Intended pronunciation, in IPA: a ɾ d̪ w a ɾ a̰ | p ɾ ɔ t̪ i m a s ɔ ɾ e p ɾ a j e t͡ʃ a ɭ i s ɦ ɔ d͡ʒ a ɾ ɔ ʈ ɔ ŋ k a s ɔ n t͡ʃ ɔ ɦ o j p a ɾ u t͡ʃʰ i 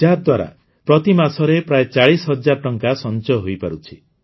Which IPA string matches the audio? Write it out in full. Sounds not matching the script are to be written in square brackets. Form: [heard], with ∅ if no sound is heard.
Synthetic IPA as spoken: a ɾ d̪ w a ɾ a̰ | p ɾ ɔ t̪ i m a s ɔ ɾ e p ɾ a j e t͡ʃ a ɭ i s ɦ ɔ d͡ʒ a ɾ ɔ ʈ ɔ ŋ k a s ɔ n t͡ʃ ɔ ɦ o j p a ɾ u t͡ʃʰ i